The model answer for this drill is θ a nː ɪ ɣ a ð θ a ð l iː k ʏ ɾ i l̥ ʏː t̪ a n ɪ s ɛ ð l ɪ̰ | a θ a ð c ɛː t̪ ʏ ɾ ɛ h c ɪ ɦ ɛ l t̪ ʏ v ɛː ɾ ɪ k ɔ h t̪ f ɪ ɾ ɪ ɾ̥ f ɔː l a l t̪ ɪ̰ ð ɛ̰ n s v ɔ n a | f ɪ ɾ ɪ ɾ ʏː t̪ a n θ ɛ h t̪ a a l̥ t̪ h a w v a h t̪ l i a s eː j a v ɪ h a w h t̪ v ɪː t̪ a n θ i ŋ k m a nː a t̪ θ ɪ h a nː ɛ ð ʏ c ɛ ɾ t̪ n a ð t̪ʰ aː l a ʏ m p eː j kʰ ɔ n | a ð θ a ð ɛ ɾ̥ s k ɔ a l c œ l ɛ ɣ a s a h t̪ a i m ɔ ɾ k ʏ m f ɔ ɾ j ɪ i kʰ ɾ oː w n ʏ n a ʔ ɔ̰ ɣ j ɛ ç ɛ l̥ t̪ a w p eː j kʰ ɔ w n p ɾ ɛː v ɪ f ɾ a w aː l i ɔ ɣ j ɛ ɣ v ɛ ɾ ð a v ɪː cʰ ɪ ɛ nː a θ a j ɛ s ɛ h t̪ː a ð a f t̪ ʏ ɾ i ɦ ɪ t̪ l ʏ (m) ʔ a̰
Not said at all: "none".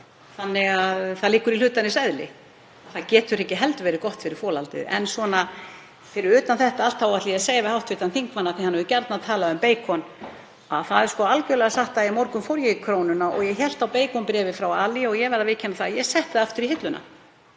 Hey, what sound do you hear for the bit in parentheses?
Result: n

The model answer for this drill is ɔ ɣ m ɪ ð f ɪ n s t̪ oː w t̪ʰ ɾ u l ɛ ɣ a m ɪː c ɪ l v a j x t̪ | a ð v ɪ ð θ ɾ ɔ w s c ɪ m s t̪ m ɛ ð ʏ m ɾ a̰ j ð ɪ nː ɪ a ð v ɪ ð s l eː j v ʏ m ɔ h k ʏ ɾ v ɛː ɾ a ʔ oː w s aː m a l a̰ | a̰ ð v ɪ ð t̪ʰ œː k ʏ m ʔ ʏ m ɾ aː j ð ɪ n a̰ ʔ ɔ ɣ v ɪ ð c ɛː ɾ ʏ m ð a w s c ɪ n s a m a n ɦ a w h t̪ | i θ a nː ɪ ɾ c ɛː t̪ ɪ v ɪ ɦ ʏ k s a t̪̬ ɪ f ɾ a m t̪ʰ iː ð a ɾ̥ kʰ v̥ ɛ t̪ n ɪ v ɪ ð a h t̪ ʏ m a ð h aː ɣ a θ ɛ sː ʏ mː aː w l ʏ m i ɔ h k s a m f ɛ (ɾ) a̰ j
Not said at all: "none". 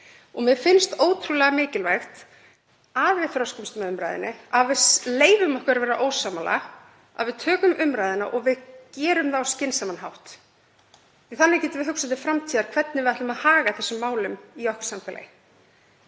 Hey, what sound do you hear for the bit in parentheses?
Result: l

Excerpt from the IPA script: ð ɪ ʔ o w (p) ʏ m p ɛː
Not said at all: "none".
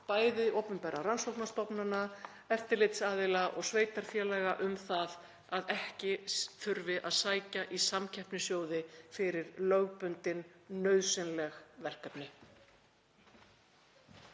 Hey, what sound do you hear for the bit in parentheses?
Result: p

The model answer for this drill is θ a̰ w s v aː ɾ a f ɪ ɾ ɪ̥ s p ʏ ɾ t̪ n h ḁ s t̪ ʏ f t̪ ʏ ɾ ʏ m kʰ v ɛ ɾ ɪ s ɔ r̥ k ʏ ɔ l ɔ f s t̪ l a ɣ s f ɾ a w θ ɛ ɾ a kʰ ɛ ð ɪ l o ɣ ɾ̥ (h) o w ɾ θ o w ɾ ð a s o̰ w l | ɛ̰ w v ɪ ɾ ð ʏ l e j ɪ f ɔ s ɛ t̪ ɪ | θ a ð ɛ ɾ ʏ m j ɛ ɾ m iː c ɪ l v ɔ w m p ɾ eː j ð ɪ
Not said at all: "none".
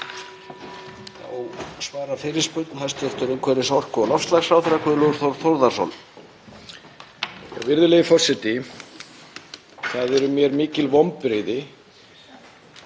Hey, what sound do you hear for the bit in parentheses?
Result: θ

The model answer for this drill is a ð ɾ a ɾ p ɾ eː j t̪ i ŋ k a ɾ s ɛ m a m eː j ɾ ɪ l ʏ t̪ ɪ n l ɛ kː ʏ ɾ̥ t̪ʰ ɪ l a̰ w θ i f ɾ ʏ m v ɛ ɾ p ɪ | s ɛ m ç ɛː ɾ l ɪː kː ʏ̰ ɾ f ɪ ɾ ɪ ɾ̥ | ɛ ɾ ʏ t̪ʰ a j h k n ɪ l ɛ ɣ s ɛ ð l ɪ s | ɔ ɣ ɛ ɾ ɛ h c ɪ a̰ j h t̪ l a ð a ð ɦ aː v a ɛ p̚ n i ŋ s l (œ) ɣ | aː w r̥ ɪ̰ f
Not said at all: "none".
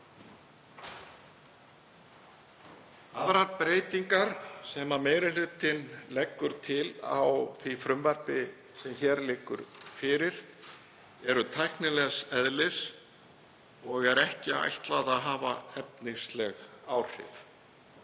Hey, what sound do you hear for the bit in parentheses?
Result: ɛ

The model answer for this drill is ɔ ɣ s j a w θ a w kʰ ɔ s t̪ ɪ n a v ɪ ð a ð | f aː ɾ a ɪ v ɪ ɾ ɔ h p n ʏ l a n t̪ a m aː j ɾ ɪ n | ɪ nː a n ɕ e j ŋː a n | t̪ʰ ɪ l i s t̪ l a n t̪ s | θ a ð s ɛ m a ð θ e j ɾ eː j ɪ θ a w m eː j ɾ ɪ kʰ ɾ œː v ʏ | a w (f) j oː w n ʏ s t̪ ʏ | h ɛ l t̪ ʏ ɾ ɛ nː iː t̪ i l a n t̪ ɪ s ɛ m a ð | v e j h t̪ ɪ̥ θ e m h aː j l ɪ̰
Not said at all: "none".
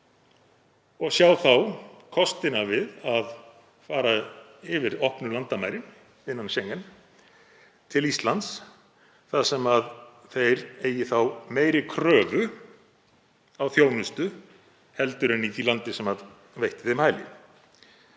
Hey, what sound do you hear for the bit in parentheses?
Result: θ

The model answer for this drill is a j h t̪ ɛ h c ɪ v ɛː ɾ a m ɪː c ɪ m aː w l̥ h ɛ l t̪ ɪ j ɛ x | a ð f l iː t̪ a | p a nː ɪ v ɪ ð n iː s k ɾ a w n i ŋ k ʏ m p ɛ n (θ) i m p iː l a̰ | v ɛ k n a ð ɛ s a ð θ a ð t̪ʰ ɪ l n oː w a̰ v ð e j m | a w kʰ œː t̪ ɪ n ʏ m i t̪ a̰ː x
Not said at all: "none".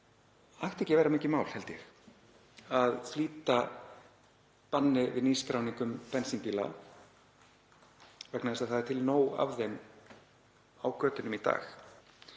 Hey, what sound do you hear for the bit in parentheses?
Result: s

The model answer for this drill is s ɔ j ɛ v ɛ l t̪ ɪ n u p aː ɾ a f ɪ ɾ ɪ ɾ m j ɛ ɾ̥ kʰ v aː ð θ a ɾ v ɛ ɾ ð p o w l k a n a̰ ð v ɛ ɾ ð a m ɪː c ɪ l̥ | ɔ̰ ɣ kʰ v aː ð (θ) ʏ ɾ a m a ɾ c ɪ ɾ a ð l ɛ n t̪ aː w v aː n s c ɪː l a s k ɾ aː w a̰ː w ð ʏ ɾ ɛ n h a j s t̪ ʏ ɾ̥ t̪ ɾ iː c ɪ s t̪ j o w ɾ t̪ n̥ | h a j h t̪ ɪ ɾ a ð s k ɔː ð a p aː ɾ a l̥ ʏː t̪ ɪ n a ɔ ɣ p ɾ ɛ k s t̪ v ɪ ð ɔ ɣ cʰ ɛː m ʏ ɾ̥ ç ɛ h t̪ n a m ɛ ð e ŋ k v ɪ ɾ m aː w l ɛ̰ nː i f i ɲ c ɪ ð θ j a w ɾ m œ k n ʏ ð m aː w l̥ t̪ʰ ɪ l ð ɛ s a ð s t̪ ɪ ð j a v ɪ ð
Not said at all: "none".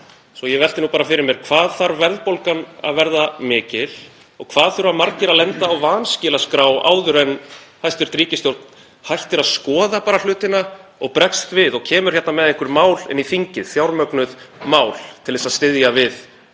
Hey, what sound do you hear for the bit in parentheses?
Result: θ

